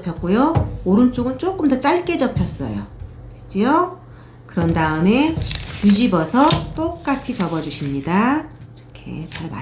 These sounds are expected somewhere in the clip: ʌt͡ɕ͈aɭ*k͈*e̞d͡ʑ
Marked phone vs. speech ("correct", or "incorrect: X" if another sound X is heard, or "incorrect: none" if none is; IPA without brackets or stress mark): correct